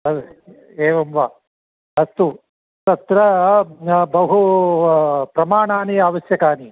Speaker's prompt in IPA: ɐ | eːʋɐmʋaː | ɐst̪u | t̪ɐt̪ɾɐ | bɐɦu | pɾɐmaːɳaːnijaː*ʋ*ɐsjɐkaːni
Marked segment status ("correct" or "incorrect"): correct